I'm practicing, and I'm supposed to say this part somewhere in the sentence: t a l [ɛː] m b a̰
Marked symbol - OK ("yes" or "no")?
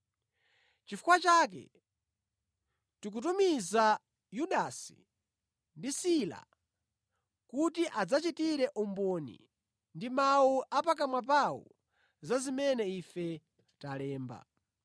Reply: yes